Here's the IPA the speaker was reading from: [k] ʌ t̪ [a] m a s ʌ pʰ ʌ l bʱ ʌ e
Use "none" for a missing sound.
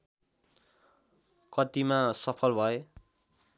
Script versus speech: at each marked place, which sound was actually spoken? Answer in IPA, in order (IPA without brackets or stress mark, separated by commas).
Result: k, i